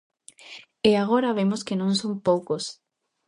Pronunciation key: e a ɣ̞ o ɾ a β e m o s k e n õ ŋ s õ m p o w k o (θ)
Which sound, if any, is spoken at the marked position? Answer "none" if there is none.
s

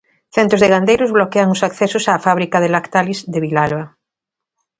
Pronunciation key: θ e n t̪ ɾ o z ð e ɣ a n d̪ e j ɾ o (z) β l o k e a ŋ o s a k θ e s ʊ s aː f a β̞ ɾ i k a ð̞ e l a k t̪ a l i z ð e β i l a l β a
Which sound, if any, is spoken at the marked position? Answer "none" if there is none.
z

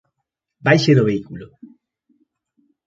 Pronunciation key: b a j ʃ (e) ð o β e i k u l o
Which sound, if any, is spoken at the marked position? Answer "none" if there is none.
e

